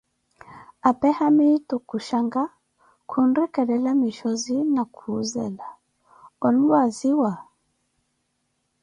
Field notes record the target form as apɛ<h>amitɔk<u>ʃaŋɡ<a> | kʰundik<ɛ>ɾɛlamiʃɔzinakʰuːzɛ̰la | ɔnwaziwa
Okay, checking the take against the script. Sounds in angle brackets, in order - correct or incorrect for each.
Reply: correct, correct, correct, correct

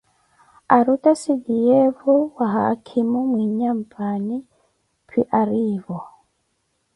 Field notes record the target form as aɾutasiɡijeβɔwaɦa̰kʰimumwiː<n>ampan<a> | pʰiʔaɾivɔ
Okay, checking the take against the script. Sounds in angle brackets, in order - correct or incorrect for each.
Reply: incorrect: ɲ, incorrect: i

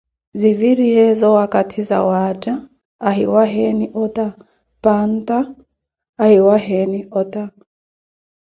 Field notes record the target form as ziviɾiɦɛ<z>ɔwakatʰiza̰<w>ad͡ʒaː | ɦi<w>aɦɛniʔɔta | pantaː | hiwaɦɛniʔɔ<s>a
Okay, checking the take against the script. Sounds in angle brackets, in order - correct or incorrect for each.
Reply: correct, correct, correct, incorrect: t

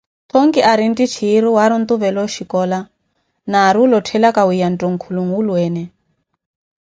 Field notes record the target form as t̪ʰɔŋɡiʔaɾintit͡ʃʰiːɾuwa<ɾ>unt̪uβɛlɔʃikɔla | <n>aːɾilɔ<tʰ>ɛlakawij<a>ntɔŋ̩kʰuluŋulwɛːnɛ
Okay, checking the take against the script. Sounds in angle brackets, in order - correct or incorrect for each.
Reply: correct, correct, correct, correct

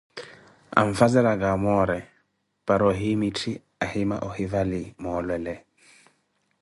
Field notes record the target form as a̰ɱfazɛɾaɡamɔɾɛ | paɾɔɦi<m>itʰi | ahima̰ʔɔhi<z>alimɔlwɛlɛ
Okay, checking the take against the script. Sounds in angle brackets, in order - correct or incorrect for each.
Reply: correct, incorrect: v

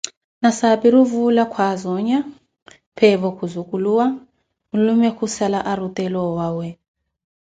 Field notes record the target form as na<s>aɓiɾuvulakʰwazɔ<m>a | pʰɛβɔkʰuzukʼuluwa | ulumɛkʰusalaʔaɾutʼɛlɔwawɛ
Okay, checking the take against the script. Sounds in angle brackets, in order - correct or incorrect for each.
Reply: correct, incorrect: ɲ

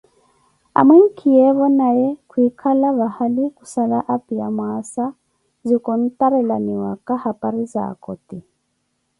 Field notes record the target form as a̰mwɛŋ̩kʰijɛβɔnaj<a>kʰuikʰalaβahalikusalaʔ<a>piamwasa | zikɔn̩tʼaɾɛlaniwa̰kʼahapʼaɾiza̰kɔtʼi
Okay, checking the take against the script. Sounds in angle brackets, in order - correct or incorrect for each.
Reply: incorrect: ɛ, correct

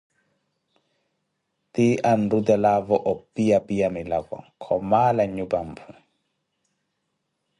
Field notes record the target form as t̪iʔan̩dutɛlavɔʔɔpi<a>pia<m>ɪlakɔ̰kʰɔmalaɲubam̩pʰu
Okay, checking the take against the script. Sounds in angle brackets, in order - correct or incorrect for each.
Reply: correct, correct

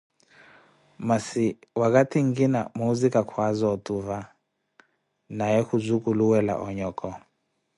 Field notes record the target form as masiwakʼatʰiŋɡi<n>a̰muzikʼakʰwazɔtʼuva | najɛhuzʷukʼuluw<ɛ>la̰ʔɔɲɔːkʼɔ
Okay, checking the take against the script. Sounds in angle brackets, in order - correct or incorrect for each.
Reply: correct, correct

